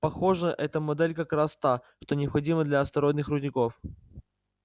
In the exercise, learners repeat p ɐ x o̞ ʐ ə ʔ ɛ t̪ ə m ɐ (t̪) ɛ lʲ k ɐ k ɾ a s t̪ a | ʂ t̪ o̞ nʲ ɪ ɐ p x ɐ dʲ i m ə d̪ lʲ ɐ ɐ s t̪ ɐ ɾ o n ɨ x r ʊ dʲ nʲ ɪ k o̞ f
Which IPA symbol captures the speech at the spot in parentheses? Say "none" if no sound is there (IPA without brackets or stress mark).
d̪